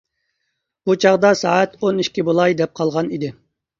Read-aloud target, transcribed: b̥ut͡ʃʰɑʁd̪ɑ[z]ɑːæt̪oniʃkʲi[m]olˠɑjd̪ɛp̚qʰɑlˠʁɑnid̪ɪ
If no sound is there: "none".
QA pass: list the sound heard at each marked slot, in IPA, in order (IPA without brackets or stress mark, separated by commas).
s, b